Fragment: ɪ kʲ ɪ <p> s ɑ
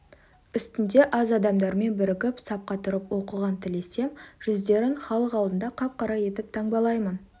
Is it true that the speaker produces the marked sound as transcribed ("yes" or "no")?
yes